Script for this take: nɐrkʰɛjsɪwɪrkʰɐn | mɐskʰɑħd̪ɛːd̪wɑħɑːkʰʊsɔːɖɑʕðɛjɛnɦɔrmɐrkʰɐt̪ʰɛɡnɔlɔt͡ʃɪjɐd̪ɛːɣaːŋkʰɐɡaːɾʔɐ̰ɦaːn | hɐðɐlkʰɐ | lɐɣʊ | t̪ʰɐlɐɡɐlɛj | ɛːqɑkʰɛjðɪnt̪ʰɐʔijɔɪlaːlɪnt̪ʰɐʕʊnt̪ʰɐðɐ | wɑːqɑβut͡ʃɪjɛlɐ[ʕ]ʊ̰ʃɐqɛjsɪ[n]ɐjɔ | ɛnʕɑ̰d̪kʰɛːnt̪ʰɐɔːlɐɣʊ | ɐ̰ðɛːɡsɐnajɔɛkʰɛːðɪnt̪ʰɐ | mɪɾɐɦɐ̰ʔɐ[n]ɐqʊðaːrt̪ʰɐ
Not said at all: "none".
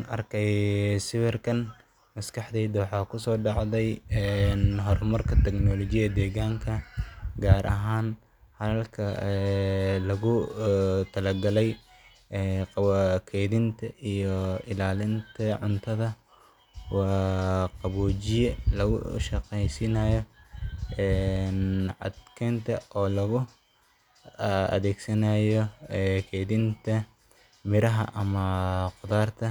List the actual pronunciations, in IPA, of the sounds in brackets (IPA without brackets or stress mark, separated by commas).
ɣ, n, m